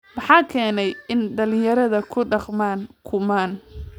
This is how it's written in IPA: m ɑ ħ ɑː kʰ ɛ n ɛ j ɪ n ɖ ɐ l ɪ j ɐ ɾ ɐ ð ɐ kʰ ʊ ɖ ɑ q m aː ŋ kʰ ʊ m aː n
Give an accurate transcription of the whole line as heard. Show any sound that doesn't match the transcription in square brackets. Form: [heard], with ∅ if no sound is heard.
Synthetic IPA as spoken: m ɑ ħ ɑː kʰ [ɛː] n ɛ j ɪ n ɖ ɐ l ɪ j ɐ ɾ ɐ ð ɐ kʰ ʊ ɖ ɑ q m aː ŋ kʰ ʊ m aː n